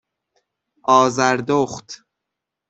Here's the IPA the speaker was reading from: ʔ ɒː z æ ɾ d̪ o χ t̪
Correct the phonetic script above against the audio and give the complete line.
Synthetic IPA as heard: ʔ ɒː z æ ɾ d̪ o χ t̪